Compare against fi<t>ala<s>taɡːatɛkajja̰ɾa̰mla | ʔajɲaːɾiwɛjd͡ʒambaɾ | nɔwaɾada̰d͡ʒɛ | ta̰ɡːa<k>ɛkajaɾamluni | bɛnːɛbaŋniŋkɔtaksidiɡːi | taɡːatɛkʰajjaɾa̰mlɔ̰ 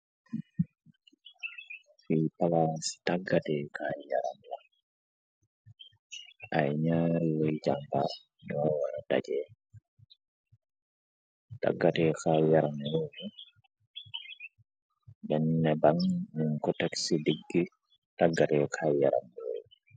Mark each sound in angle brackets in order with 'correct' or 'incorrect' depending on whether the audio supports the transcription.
incorrect, correct, incorrect

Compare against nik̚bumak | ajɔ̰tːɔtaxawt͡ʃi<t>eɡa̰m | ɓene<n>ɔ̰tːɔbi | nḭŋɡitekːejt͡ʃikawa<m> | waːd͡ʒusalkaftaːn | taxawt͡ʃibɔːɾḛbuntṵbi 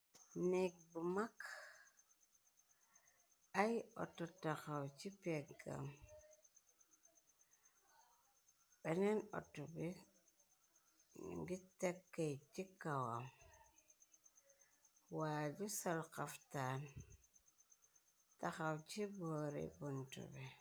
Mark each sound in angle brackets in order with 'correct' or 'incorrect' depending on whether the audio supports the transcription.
incorrect, correct, correct

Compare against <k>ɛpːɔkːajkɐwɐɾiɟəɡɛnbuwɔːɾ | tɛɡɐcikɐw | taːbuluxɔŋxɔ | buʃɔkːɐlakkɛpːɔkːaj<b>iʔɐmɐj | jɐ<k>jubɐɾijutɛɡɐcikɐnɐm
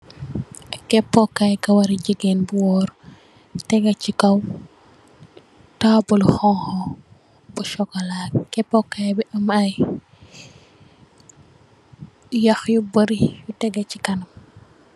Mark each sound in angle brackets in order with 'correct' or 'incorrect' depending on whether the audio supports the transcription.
correct, correct, incorrect

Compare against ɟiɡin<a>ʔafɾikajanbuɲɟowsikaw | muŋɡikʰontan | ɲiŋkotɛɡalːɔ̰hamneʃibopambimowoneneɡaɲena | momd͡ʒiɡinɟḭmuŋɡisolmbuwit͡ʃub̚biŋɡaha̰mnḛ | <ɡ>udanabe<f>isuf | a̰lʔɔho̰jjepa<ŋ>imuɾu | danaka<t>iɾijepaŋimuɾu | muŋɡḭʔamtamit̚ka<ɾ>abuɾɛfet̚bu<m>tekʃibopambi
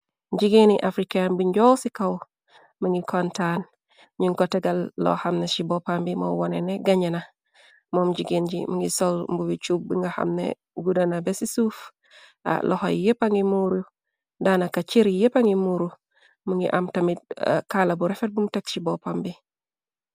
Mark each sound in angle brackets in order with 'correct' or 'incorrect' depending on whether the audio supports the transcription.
incorrect, correct, incorrect, correct, incorrect, incorrect, correct

